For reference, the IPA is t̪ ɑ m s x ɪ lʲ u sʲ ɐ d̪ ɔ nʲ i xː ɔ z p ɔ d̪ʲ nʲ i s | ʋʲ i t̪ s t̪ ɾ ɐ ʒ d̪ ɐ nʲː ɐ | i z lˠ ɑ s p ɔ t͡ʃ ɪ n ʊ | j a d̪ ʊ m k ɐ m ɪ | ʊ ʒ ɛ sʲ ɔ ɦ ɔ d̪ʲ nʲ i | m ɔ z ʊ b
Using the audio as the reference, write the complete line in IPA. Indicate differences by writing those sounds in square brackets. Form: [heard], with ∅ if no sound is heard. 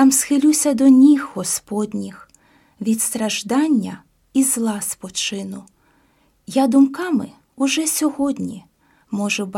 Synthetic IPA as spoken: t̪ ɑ m s x ɪ lʲ u sʲ ɐ d̪ ɔ nʲ i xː ɔ [s] p ɔ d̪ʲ nʲ i [x] | ʋʲ i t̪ s t̪ ɾ ɐ ʒ d̪ [ɑ] nʲː ɐ | i z lˠ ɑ s p ɔ t͡ʃ ɪ n ʊ | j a d̪ ʊ m k [ɑ] m ɪ | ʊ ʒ ɛ sʲ ɔ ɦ ɔ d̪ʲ nʲ i | m ɔ [ʒ] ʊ b